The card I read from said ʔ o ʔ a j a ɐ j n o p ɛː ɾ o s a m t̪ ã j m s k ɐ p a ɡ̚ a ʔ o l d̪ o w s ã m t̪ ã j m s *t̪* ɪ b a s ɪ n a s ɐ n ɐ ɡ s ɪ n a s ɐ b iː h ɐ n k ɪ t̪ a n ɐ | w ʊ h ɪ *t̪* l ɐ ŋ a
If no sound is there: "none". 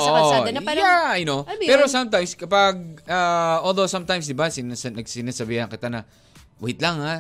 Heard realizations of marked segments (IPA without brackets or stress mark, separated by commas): d̪, t̪